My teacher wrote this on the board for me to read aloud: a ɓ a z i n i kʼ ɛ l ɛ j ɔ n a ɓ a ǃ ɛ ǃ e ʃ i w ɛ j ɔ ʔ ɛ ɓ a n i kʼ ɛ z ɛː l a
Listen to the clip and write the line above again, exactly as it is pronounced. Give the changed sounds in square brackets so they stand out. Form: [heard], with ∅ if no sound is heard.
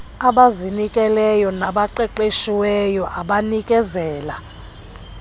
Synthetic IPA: a ɓ a z i n i kʼ ɛ l ɛ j ɔ n a ɓ a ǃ ɛ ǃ e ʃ i w ɛ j ɔ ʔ [a] ɓ a n i kʼ ɛ z ɛː l a